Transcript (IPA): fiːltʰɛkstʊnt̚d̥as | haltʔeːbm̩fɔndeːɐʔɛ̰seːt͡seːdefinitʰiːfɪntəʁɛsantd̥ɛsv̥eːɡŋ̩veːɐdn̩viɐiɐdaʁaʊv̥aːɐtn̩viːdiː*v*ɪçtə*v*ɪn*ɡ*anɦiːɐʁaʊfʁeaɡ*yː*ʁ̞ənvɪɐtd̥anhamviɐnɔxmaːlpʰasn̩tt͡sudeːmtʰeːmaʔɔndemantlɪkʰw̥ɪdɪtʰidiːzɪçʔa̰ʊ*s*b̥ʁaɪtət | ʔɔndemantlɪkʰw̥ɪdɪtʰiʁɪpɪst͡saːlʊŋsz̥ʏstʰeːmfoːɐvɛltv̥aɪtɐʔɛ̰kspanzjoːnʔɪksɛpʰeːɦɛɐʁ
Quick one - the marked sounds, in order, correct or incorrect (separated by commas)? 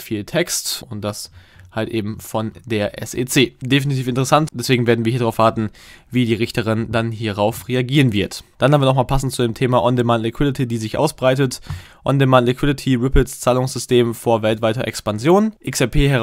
incorrect, incorrect, incorrect, incorrect, correct